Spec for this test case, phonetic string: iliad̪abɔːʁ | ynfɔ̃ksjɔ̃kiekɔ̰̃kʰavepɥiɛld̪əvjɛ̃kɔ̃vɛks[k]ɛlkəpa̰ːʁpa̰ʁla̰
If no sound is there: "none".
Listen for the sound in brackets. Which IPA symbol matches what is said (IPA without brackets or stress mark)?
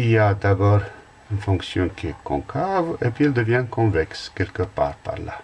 k